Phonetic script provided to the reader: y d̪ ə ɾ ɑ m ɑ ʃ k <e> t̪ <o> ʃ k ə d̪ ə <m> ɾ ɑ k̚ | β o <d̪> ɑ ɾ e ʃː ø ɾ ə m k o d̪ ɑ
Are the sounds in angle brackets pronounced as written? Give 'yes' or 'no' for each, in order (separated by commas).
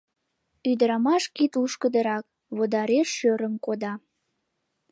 no, no, no, yes